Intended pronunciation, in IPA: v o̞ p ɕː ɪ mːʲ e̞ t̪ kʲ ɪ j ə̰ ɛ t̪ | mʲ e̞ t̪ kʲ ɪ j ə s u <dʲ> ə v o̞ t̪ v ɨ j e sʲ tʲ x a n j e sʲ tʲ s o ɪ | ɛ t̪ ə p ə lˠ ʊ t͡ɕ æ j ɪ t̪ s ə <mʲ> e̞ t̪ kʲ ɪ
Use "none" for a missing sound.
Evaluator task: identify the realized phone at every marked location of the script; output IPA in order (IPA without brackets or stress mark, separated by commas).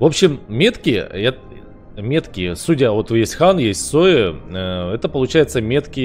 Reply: dʲ, mʲ